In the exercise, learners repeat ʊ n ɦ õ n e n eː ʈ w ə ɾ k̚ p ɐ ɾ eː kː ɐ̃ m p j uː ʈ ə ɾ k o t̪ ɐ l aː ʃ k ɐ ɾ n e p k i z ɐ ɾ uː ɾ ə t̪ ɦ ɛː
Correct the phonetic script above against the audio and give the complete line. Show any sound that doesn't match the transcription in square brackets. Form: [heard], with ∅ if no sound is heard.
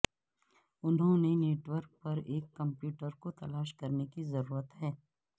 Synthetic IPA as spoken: ʊ n ɦ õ n e n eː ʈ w ə ɾ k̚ p ɐ ɾ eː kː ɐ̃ m p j uː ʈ ə ɾ k o t̪ ɐ l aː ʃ k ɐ ɾ n e [∅] k i z ɐ ɾ uː ɾ ə t̪ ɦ ɛː